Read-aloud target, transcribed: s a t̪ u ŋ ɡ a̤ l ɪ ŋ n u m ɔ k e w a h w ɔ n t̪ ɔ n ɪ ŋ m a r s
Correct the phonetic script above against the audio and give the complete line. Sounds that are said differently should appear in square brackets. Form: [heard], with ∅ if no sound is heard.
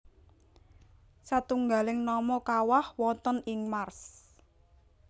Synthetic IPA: s a t̪ u ŋ ɡ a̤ l ɪ ŋ n [ɔ] m ɔ k [a] w a h w ɔ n t̪ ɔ n ɪ ŋ m a r s